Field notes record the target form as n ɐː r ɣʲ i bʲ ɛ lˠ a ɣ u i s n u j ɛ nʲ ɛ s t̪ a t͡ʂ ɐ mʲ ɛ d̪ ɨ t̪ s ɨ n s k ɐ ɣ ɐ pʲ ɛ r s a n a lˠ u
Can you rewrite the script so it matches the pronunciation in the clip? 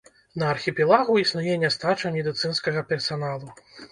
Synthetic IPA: n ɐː r xʲ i pʲ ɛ lˠ a ɣ u i s n u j ɛ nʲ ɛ s t̪ a t͡ʂ ɐ mʲ ɛ d̪ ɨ t̪ s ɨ n s k ɐ ɣ ɐ pʲ ɛ r s a n a lˠ u